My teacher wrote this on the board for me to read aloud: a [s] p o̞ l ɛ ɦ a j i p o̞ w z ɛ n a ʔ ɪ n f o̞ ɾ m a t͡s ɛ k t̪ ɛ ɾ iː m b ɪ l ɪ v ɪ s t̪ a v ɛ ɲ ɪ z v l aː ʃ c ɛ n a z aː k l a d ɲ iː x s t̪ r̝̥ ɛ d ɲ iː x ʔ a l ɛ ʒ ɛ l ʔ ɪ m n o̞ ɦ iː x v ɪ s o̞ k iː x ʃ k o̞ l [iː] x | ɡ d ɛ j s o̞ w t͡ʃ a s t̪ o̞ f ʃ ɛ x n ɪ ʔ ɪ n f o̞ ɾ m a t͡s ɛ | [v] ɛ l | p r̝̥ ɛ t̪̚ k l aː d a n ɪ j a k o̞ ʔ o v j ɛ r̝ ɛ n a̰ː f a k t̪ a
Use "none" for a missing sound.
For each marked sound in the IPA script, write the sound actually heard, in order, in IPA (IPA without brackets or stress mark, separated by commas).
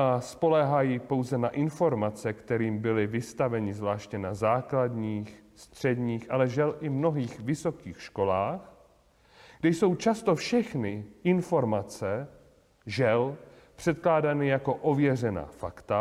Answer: s, aː, ʒ